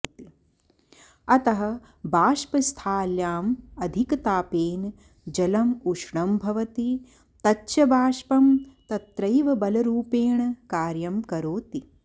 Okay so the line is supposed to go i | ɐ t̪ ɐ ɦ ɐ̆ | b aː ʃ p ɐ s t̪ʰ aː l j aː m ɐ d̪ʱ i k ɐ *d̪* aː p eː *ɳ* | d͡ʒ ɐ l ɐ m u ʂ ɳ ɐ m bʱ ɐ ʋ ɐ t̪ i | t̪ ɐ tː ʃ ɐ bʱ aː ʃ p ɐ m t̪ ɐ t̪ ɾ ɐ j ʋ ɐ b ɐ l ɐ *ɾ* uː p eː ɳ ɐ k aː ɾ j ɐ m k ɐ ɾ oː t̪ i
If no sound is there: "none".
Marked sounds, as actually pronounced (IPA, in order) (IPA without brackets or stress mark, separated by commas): t̪, n, ɾ